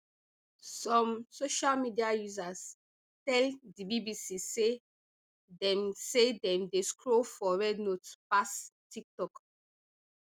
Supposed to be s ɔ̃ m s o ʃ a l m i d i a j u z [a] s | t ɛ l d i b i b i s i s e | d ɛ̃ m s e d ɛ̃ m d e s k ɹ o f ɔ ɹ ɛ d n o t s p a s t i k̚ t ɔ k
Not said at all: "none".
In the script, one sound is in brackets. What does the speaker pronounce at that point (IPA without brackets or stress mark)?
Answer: a